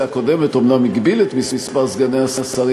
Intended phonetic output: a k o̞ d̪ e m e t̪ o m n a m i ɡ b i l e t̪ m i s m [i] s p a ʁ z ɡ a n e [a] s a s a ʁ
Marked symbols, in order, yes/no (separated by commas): yes, yes